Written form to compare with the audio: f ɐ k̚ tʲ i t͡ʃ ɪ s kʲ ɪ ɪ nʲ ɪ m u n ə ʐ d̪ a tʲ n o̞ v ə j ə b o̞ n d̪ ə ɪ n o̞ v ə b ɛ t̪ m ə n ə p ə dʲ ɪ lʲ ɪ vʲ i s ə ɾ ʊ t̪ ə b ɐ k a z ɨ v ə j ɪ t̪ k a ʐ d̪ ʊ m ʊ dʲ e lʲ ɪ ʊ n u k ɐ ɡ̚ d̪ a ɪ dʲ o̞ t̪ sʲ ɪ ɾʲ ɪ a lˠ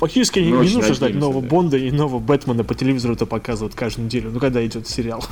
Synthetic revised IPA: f ɐ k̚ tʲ i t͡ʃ ɪ s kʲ ɪ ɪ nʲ ɪ n u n ə ʐ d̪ a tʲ n o̞ v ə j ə b o̞ n d̪ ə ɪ n o̞ v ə b ɛ t̪ m ə n ə p ə tʲ ɪ lʲ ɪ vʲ i z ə ɾ ʊ t̪ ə p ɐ k a z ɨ v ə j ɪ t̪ k a ʐ d̪ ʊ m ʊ dʲ e lʲ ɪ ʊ n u k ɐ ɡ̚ d̪ a ɪ dʲ o̞ t̪ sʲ ɪ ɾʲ ɪ a lˠ